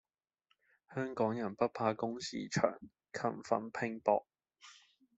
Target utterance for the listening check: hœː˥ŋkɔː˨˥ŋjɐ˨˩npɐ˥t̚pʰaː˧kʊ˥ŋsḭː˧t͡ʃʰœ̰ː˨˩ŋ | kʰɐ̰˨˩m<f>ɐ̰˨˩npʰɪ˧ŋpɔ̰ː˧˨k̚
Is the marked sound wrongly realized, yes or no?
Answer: no